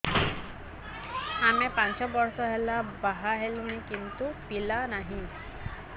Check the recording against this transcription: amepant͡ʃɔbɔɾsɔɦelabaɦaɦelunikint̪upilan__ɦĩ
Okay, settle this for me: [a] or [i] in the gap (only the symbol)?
a